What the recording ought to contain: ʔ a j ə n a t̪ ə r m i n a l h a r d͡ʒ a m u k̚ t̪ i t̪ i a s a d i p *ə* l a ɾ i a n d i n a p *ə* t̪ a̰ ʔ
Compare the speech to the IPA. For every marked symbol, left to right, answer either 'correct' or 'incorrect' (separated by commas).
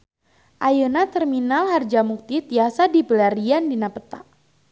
correct, correct